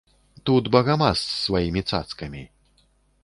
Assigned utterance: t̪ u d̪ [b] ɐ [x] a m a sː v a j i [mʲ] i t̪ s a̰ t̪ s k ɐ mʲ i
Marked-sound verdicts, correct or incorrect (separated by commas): correct, incorrect, correct